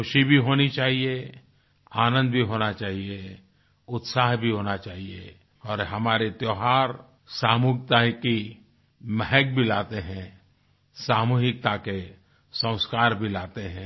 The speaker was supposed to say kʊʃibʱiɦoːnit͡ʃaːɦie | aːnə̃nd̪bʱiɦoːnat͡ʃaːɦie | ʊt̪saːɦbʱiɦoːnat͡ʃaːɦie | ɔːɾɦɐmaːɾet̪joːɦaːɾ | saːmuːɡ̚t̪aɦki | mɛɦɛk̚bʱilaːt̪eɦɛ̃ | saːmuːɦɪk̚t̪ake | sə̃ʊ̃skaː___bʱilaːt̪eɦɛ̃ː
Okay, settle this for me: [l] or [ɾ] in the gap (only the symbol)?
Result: ɾ